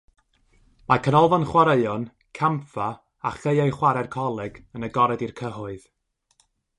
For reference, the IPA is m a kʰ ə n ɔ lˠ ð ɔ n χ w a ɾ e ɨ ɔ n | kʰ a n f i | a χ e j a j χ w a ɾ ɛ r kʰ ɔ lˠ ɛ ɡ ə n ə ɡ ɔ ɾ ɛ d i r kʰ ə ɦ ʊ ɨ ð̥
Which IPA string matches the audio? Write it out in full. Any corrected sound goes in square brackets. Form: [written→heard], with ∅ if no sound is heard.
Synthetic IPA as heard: m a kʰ ə n ɔ lˠ [ð→v] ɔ n χ w a ɾ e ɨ ɔ n | kʰ a [n→m] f [i→a] | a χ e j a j χ w a ɾ ɛ r kʰ ɔ lˠ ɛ ɡ ə n ə ɡ ɔ ɾ ɛ d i r kʰ ə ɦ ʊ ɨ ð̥